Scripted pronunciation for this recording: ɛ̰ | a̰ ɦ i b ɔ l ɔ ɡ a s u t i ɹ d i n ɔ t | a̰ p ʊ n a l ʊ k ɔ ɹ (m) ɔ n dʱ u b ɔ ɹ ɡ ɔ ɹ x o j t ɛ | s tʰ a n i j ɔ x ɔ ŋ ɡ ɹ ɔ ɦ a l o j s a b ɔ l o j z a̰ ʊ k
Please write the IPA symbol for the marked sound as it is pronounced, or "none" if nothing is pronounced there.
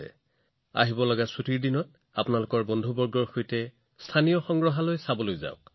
b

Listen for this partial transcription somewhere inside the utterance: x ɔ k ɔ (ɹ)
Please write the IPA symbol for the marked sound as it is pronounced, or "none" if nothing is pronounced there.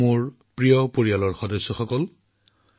l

